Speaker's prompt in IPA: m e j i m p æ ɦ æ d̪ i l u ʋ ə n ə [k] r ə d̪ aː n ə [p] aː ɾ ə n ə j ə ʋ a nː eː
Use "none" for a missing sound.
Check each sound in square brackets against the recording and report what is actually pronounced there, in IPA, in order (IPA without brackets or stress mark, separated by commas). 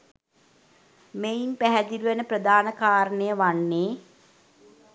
p, k